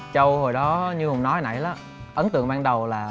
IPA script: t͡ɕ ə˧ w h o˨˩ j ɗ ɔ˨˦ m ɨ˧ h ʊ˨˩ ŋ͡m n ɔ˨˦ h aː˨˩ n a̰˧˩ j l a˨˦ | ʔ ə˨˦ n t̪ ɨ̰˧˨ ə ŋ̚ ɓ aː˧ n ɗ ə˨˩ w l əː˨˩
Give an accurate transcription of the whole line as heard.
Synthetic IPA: t͡ɕ ə˧ w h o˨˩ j ɗ ɔ˨˦ ɲ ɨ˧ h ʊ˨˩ ŋ͡m n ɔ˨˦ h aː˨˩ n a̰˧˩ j l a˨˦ | ʔ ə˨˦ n t̪ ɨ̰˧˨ ə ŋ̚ ɓ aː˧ n ɗ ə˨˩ w l aː˨˩